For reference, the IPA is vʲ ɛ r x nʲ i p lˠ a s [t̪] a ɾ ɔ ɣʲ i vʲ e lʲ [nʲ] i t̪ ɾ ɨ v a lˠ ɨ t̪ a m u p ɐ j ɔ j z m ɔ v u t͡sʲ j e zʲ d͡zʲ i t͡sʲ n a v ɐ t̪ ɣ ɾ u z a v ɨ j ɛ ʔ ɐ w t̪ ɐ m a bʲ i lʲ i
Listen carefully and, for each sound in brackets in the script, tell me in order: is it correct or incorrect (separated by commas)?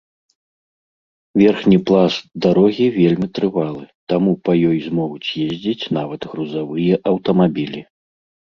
incorrect, incorrect